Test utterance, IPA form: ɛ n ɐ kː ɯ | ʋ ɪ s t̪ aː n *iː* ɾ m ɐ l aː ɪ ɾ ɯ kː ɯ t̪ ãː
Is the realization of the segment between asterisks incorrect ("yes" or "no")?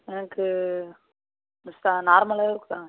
yes